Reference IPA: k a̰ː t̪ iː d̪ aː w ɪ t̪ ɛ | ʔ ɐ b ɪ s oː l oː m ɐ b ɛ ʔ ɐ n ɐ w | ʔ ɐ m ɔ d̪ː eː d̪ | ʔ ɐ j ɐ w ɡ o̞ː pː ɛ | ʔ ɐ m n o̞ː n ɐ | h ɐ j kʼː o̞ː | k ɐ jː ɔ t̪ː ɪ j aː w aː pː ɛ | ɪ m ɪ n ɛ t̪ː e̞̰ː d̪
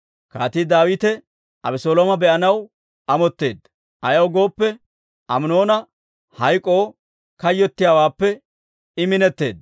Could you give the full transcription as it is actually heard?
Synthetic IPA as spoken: k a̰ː t̪ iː d̪ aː w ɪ t̪ ɛ | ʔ ɐ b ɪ s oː l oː m ɐ b ɛ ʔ ɐ n ɐ w | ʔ ɐ m ɔ t̪ː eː d̪ | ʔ ɐ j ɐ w ɡ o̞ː pː ɛ | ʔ ɐ m n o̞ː n ɐ | h ɐ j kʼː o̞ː | k ɐ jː ɔ t̪ː ɪ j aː w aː pː ɛ | ɪ m ɪ n ɛ t̪ː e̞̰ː d̪